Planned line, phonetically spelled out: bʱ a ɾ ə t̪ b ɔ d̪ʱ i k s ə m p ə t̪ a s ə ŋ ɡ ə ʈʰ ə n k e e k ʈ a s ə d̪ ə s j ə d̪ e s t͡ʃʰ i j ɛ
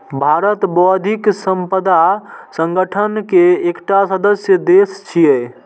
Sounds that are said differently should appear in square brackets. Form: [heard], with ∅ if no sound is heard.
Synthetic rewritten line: bʱ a ɾ ə t̪ b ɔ d̪ʱ i k s ə m p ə [d̪] a s ə ŋ ɡ ə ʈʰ ə n k e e k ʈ a s ə d̪ ə s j ə d̪ e s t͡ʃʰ i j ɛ

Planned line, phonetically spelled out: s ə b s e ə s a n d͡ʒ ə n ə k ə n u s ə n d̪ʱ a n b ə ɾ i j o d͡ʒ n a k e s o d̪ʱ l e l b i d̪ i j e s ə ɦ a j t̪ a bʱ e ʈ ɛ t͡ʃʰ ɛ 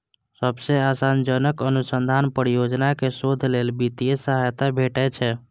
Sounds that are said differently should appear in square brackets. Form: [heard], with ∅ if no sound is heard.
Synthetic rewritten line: s ə b s e [a] s a n d͡ʒ ə n ə k ə n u s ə n d̪ʱ a n [p] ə ɾ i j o d͡ʒ n a k e s o d̪ʱ l e l b i [t̪] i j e s ə ɦ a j t̪ a bʱ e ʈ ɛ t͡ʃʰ ɛ

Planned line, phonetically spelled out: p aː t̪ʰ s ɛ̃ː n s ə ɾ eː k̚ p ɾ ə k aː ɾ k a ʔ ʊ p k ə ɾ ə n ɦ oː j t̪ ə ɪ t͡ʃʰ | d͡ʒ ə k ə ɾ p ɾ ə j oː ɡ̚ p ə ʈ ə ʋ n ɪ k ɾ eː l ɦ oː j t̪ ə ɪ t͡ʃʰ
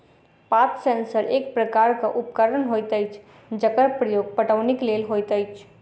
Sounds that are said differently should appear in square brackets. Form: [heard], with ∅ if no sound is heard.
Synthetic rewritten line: p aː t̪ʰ s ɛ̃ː n s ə ɾ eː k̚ p ɾ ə k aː ɾ k a ʔ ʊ p k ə ɾ ə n ɦ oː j t̪ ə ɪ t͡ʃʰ | d͡ʒ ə k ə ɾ p ɾ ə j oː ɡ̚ p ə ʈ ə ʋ n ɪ k [l] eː l ɦ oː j t̪ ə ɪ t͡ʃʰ

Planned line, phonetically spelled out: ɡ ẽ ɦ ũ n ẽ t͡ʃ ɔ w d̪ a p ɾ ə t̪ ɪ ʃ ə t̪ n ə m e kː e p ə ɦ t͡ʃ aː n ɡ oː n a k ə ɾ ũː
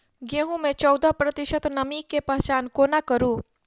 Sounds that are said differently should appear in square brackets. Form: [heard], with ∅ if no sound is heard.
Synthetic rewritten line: ɡ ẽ ɦ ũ [m] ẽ t͡ʃ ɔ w d̪ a p ɾ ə t̪ ɪ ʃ ə t̪ n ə m [i] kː e p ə ɦ t͡ʃ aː n [k] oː n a k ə ɾ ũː

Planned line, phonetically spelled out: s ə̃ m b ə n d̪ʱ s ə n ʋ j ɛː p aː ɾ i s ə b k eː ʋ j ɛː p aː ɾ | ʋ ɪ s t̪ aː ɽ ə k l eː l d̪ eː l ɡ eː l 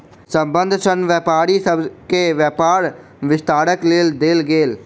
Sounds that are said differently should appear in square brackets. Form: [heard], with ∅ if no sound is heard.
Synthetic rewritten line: s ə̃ m b ə n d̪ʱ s ə n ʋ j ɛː p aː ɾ i s ə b k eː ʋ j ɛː p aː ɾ | ʋ ɪ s t̪ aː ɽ ə k l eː l d̪ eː l ɡ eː l

